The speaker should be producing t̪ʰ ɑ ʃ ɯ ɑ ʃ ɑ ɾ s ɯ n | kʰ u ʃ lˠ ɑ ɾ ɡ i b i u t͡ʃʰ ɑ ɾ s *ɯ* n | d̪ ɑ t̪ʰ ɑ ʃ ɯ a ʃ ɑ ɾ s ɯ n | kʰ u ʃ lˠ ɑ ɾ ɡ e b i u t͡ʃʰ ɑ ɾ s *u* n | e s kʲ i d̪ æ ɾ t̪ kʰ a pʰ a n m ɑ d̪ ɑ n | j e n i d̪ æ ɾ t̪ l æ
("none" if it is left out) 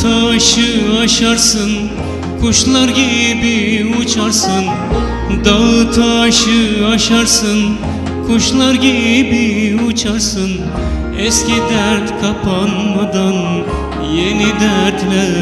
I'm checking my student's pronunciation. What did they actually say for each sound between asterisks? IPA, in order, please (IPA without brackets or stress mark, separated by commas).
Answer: ɯ, ɯ